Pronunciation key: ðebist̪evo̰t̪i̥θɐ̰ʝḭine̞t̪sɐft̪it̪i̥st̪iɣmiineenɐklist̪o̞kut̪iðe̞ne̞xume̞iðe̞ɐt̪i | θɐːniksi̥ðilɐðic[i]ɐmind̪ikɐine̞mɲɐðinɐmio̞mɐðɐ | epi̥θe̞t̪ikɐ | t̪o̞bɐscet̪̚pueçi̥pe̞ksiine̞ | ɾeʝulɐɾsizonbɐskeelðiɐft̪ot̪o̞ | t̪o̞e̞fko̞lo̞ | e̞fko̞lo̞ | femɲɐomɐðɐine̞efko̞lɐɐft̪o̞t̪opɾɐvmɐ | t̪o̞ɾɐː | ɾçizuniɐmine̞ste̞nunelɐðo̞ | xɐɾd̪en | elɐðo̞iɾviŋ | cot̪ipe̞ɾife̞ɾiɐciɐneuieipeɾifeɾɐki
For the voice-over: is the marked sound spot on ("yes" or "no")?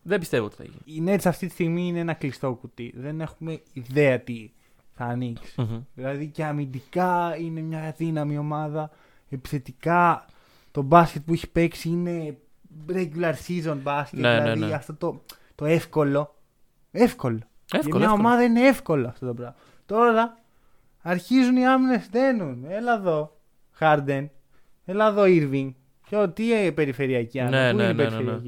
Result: no